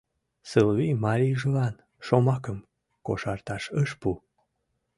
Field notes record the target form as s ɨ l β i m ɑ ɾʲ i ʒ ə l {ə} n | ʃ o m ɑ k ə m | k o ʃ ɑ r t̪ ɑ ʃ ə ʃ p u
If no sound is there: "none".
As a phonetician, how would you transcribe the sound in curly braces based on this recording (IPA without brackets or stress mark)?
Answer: ɑ